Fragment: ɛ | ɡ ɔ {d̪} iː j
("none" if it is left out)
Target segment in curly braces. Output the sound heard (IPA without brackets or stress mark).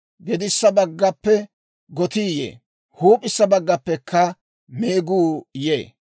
t̪